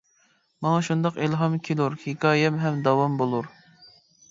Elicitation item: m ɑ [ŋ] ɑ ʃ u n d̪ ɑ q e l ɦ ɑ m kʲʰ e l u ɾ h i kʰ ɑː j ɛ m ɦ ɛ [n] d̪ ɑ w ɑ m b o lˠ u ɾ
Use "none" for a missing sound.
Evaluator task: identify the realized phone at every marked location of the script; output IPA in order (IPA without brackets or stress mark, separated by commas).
ŋ, m